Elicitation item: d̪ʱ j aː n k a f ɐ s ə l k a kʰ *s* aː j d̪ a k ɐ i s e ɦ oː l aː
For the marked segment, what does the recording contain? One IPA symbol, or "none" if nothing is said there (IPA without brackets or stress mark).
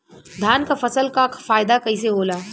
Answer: f